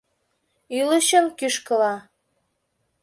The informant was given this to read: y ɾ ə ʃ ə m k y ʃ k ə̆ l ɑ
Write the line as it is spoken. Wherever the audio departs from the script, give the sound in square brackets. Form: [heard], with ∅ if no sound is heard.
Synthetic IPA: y [l] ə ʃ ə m k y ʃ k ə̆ l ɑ